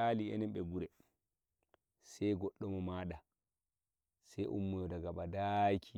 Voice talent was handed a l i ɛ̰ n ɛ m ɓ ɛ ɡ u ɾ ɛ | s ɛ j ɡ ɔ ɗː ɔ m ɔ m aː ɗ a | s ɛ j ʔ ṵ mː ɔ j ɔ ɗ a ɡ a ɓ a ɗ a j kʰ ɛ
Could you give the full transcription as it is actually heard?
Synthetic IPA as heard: a l i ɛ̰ n ɛ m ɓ ɛ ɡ u ɾ ɛ | s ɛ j ɡ ɔ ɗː ɔ m ɔ m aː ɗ a | s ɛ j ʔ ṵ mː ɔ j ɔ d a ɡ a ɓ a d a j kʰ i